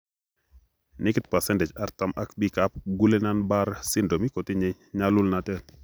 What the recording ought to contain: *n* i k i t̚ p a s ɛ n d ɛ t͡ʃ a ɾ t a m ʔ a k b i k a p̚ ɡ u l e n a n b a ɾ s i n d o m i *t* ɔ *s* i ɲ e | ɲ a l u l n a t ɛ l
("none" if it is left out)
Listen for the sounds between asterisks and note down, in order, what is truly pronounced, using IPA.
n, k, t

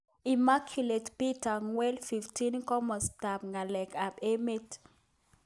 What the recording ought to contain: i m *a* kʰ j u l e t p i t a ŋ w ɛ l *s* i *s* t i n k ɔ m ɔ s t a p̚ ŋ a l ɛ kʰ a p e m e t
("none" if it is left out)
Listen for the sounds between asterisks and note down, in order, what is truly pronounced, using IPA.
a, f, f

